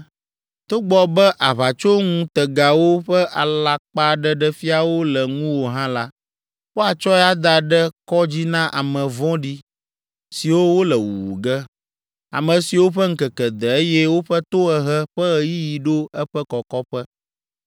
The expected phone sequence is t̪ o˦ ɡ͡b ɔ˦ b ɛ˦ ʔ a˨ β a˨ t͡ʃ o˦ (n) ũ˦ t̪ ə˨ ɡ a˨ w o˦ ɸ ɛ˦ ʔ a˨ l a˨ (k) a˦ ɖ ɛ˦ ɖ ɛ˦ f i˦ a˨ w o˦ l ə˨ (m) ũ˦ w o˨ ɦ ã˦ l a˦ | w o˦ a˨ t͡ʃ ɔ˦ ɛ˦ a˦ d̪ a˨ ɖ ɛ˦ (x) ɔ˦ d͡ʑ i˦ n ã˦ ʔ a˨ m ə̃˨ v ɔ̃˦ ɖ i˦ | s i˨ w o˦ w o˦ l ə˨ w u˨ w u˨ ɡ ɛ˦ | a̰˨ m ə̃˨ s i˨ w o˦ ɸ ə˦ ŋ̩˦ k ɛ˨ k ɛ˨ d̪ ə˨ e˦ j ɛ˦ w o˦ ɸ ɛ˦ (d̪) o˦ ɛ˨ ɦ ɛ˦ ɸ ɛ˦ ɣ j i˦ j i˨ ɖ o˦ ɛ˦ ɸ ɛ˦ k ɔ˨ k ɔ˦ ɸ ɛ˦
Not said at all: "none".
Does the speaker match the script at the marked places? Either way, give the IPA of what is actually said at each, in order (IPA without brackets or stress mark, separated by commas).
ŋ, k͡p, ŋ, k, t̪